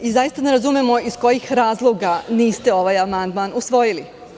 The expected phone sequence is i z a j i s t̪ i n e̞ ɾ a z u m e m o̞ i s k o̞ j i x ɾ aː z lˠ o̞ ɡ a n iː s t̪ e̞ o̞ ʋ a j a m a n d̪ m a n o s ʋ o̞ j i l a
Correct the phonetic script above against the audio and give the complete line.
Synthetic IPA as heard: i z a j i s t̪ a n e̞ ɾ a z u m e m o̞ i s k o̞ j i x ɾ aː z lˠ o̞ ɡ a n iː s t̪ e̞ o̞ ʋ a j a m a n d̪ m a n u s ʋ o̞ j i l i